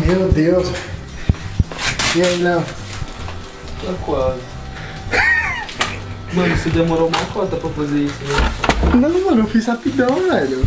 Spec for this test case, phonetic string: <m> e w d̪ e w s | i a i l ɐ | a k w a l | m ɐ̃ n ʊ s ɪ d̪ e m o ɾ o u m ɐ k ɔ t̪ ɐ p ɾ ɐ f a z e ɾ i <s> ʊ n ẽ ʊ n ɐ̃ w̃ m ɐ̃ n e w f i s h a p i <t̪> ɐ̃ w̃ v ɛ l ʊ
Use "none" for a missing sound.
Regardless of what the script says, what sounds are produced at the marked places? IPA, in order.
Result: m, s, d̪

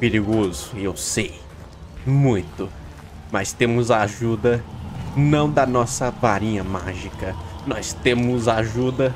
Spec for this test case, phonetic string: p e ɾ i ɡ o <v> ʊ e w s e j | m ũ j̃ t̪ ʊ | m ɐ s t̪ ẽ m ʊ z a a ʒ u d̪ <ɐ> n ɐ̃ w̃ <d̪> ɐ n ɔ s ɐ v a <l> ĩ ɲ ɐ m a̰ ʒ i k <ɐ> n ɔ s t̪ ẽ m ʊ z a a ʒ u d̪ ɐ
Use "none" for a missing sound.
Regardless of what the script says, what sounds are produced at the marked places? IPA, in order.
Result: z, ɐ, d̪, ɾ, ɐ

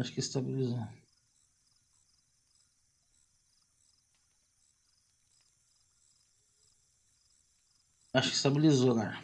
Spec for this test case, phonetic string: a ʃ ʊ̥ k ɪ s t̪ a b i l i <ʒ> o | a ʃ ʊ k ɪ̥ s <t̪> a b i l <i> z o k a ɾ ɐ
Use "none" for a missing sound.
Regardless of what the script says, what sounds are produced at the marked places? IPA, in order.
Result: z, t̪, i

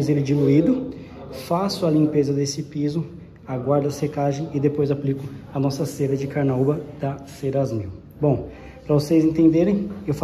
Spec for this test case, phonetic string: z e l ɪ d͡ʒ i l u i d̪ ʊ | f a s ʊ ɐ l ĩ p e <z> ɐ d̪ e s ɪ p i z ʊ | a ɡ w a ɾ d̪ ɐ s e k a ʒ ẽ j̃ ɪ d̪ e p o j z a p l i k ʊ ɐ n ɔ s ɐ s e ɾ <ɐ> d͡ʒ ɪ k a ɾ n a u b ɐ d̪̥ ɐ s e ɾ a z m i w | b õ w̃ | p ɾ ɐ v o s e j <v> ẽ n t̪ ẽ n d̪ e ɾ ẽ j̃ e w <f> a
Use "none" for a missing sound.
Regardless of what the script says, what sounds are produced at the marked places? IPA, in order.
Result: z, ɐ, z, f

